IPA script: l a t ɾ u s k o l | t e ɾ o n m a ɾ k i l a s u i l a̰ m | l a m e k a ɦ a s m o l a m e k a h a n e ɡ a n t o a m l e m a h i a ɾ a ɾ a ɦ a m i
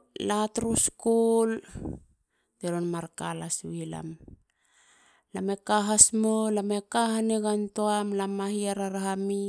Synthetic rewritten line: l a t ɾ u s k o l | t e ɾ o n m a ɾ k a l a s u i l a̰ m | l a m e k a ɦ a s m o l a m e k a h a n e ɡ a n t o a m l a m a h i a ɾ a ɾ a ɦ a m i